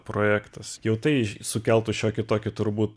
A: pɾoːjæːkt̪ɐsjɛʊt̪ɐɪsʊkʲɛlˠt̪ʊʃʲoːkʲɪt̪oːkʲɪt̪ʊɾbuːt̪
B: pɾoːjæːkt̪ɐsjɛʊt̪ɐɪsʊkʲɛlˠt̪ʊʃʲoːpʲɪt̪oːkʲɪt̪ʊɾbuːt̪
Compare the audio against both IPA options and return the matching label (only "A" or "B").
A